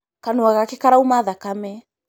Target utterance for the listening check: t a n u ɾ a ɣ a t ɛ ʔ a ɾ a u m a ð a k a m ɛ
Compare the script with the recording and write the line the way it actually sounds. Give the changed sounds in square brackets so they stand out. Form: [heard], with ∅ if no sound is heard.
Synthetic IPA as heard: [k] a n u [∅] a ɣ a [k] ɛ [k] a ɾ a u m a ð a k a m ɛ